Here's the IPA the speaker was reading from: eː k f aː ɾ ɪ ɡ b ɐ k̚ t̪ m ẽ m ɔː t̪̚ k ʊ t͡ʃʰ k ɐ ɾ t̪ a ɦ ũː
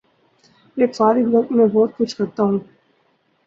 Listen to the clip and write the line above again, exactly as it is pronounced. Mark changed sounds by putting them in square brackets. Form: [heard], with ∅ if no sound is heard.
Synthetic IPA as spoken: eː k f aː ɾ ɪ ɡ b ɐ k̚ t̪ m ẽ [b] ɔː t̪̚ k ʊ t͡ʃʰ k ɐ ɾ t̪ a ɦ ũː